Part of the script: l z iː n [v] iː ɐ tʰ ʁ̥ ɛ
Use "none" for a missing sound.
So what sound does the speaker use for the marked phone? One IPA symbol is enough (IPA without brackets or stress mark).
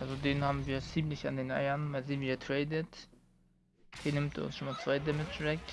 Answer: v